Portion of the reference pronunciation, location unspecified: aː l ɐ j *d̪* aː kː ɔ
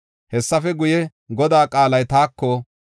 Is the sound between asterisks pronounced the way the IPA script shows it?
no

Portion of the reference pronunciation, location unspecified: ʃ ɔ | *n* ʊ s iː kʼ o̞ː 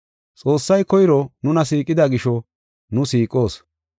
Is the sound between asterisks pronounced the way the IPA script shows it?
yes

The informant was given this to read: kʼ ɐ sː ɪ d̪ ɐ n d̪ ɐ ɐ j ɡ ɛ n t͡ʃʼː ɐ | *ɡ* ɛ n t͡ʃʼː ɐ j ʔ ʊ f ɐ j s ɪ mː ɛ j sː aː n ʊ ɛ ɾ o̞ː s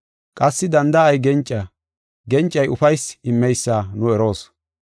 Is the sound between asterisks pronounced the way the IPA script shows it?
yes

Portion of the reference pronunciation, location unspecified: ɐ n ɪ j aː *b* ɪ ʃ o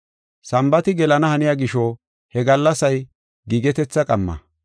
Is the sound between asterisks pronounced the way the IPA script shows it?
no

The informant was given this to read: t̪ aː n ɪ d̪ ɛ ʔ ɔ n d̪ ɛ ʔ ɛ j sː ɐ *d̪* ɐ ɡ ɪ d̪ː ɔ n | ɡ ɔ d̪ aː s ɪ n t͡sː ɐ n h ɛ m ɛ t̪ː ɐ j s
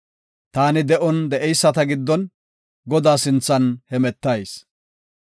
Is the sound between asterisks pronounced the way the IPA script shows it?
no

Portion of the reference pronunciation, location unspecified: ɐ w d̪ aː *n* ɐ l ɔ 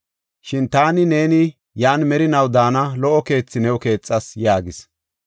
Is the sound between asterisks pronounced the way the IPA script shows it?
yes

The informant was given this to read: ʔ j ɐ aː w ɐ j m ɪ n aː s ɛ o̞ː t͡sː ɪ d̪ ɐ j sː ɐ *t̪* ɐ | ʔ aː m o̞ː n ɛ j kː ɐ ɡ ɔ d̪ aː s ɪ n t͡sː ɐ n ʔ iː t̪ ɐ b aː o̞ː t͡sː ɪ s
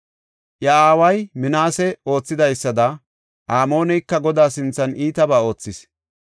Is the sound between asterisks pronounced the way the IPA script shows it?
no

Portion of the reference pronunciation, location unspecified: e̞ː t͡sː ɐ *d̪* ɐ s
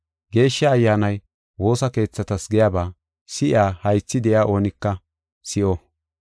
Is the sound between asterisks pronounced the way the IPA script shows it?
no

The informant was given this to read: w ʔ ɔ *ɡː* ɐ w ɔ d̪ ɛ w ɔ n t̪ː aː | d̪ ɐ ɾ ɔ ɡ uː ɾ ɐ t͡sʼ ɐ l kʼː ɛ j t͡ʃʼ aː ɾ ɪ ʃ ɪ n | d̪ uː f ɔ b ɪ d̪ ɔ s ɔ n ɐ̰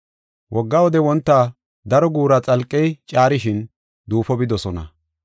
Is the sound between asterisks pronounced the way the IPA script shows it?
yes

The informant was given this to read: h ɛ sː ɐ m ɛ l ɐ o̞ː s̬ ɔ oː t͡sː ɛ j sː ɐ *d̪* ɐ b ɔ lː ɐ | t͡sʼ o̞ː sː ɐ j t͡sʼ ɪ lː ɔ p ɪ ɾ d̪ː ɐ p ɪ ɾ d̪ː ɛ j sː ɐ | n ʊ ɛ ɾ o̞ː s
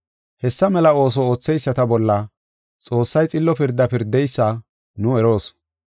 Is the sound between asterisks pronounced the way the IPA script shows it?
no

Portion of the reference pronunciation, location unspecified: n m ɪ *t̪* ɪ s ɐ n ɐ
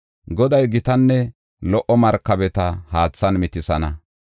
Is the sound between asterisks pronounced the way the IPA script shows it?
yes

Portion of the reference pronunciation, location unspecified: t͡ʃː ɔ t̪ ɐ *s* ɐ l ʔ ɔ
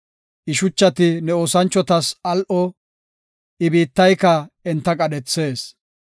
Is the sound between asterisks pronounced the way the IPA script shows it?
yes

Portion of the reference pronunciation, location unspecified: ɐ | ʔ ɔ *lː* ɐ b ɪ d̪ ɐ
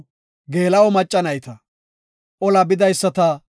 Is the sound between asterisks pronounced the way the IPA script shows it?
no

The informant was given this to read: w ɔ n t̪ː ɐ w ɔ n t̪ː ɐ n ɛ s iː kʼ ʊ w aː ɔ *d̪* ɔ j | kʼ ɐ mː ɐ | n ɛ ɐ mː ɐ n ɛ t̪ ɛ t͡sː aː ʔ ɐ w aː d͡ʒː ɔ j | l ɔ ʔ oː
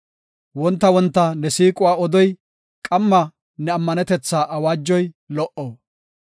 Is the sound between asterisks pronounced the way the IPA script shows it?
yes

